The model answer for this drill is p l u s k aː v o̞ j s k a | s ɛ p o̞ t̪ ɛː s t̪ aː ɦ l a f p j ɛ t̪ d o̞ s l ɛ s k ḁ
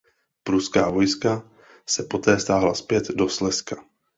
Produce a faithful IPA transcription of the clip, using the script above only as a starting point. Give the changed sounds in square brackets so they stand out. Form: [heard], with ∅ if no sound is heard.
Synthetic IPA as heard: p [ɾ] u s k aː v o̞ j s k a | s ɛ p o̞ t̪ ɛː s t̪ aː ɦ l a [s] p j ɛ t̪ d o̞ s l ɛ s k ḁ